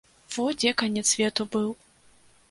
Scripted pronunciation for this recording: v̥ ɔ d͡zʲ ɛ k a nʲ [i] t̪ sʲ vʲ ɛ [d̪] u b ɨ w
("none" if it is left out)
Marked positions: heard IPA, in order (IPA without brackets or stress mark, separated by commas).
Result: ɛ, t̪